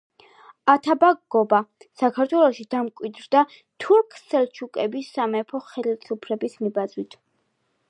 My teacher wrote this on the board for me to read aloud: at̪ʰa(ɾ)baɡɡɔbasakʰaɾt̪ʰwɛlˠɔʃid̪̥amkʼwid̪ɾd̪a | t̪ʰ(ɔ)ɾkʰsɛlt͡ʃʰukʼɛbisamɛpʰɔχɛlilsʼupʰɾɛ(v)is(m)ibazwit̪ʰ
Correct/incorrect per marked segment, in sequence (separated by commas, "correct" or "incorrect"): incorrect, incorrect, incorrect, correct